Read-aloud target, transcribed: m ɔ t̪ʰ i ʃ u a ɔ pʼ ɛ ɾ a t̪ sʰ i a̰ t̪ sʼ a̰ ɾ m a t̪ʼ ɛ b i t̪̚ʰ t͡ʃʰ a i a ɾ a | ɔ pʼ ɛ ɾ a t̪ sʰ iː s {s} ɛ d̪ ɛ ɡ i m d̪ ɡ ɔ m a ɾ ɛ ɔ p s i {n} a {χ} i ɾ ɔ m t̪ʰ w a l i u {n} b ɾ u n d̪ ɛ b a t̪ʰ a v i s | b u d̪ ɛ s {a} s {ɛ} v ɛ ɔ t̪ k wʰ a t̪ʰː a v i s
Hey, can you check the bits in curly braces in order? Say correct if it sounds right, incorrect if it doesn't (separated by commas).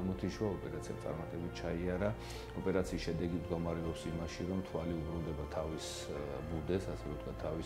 incorrect, incorrect, incorrect, incorrect, correct, correct